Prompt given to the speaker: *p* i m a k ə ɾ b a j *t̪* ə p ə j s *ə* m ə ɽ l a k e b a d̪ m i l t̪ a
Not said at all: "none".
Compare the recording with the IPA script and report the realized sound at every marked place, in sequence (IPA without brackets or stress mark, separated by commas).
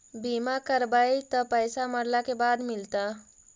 b, t̪, a